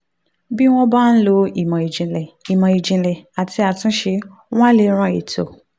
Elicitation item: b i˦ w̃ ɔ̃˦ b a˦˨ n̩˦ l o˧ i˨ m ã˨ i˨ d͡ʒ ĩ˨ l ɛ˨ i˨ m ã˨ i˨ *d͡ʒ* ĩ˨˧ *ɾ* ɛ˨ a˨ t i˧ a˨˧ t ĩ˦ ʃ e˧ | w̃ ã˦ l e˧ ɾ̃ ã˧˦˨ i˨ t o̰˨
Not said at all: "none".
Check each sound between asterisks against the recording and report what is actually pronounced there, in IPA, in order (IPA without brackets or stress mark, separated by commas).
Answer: d͡ʒ, l